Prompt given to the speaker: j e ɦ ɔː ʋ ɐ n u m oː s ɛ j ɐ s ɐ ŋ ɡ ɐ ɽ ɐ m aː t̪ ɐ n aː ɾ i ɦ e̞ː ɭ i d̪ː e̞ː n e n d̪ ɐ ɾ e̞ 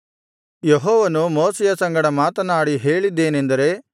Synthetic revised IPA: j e ɦ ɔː ʋ ɐ n u m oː s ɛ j ɐ s ɐ ŋ ɡ ɐ ɽ ɐ m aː t̪ ɐ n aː ɽ i ɦ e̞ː ɭ i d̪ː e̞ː n e n d̪ ɐ ɾ e̞